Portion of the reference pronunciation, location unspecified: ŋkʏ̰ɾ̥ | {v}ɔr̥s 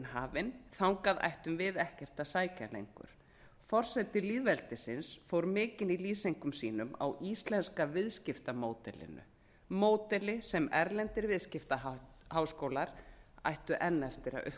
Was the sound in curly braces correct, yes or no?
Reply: no